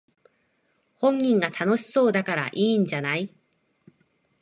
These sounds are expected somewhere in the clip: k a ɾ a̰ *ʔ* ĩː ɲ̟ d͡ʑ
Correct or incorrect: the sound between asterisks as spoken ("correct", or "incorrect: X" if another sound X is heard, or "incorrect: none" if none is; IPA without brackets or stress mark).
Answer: correct